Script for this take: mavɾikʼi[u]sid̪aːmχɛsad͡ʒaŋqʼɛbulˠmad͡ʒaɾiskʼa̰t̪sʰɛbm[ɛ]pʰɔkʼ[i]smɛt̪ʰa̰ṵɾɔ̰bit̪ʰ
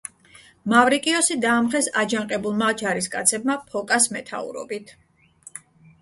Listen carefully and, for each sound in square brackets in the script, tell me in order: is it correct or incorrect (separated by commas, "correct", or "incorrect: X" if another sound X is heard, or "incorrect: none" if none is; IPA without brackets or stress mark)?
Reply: incorrect: ɔ, incorrect: a, incorrect: a